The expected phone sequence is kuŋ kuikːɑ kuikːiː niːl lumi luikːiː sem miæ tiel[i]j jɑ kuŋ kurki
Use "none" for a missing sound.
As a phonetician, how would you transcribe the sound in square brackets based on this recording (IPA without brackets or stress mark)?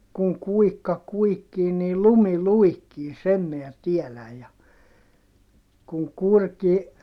æ